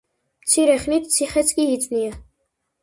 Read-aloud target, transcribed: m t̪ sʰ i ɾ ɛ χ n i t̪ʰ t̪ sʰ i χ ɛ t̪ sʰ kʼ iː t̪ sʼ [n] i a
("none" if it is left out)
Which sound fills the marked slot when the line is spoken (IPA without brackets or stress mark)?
n